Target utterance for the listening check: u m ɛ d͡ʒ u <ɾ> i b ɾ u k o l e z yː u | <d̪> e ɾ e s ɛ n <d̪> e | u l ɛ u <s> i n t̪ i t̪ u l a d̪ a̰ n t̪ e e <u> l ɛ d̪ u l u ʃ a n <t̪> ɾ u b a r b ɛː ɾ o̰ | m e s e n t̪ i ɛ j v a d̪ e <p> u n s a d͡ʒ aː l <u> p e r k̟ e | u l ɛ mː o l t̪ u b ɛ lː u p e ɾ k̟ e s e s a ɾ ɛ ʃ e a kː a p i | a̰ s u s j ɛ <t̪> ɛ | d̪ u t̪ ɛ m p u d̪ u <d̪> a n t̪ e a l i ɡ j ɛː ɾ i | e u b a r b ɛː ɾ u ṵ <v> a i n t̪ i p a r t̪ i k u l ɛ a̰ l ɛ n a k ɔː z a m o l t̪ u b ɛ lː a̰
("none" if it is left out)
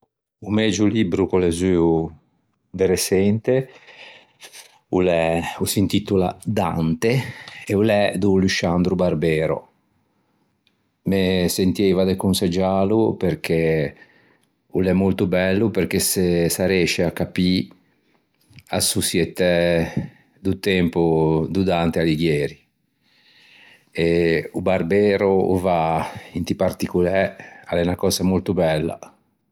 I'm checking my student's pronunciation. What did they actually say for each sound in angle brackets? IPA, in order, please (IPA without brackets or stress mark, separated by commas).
l, d̪, t̪, s, u, d̪, k, u, t̪, d̪, v